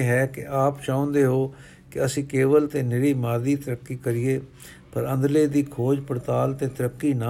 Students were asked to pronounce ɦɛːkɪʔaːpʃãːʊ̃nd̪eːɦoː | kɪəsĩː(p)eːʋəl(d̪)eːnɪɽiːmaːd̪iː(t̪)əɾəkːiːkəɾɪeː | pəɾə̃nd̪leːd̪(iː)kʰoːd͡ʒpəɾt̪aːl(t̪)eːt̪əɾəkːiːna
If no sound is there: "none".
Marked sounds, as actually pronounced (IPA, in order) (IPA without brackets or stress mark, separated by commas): k, t̪, t̪, iː, t̪